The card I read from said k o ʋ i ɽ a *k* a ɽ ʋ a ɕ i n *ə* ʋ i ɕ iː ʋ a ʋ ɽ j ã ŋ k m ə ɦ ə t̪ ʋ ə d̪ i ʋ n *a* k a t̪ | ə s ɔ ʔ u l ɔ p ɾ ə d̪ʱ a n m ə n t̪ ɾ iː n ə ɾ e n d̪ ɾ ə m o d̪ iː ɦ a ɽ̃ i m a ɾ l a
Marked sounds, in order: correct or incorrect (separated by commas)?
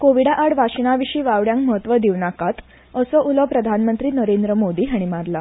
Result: incorrect, incorrect, correct